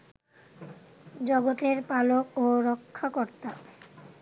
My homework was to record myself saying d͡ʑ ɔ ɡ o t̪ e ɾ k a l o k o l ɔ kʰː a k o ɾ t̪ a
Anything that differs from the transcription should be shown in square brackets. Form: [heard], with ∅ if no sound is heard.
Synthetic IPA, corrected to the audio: d͡ʑ ɔ ɡ o t̪ e ɾ [p] a l o k o [ɾ] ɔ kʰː a k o ɾ t̪ a